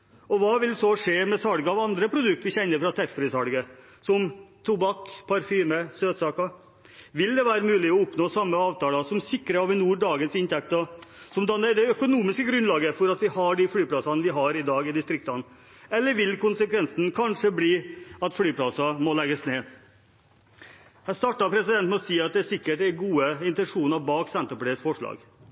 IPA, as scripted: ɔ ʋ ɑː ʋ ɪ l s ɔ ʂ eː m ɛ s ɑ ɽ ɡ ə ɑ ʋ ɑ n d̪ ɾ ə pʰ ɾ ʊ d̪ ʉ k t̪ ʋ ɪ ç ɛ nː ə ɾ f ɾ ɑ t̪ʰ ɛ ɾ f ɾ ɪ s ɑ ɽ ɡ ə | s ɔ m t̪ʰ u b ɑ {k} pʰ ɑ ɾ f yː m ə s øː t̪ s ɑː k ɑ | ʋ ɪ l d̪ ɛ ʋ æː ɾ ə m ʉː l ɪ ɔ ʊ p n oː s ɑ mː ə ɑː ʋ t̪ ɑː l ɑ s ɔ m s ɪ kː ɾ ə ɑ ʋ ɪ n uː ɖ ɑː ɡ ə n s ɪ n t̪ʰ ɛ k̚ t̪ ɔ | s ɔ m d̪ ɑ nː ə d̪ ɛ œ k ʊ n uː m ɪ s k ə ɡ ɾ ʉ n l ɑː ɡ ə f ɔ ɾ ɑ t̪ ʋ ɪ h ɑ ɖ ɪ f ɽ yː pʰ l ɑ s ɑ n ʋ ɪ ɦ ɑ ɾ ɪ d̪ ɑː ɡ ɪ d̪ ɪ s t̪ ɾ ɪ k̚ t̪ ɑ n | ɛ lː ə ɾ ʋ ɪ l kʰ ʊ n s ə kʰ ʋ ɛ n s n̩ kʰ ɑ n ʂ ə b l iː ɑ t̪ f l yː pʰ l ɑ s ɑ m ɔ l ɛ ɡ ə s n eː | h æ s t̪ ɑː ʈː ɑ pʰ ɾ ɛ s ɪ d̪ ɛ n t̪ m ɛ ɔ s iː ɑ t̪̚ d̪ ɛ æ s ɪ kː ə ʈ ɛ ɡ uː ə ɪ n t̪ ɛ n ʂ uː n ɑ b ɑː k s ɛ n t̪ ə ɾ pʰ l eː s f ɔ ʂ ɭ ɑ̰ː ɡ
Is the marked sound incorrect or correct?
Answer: correct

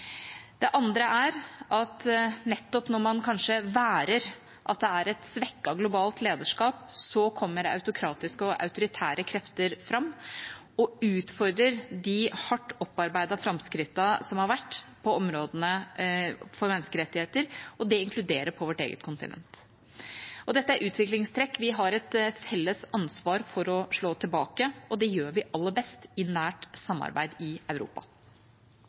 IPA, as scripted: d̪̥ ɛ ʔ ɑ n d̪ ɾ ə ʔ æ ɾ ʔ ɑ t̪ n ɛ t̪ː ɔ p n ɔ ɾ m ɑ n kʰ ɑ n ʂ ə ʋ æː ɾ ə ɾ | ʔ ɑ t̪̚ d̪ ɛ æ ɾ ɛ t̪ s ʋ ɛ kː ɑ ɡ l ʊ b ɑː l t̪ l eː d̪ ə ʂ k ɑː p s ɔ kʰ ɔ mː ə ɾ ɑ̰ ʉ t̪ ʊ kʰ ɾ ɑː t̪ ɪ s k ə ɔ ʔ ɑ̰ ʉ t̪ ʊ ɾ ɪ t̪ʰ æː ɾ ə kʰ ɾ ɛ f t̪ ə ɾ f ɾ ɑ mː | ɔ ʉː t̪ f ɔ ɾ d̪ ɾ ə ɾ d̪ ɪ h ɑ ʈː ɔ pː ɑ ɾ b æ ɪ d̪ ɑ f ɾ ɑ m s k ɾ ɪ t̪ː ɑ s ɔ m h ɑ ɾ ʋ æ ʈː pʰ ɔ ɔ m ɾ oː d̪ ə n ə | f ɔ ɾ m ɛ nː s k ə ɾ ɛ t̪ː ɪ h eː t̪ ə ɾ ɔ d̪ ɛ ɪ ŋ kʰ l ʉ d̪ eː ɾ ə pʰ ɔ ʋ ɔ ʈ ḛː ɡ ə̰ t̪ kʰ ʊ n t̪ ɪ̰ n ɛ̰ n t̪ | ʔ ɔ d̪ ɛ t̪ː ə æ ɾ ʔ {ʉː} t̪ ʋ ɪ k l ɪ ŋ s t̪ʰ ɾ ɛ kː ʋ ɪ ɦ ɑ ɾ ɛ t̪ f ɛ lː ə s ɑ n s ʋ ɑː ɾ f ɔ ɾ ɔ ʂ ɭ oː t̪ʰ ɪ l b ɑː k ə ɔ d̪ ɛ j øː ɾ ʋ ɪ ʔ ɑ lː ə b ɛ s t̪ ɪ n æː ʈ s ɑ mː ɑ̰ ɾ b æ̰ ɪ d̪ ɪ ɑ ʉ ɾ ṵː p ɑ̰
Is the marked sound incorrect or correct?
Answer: correct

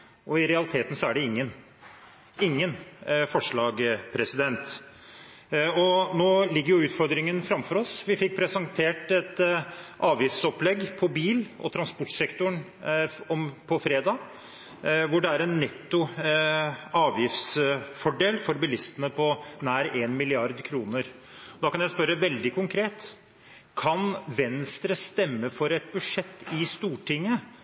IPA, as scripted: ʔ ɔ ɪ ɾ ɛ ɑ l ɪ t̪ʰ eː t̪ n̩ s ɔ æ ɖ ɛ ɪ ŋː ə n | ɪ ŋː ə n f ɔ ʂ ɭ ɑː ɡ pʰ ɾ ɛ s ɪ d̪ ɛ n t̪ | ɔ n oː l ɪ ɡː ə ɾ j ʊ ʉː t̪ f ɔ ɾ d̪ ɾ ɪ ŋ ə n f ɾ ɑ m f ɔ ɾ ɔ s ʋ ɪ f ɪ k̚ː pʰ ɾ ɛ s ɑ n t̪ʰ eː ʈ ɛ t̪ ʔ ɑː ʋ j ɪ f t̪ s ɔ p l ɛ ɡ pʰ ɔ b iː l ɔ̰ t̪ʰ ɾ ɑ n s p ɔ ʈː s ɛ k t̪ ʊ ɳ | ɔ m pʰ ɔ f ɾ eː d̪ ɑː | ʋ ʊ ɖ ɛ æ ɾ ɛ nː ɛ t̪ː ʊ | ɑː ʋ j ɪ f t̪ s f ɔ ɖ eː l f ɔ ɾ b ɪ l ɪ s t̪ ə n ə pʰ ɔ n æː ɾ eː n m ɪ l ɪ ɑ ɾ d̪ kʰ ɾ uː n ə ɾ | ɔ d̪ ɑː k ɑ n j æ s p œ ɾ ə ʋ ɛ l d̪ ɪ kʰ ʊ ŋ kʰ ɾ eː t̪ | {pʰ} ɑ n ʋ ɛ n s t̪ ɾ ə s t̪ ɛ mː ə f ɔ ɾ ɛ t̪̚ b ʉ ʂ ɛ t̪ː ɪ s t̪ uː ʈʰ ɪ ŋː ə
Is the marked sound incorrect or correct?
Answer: incorrect: kʰ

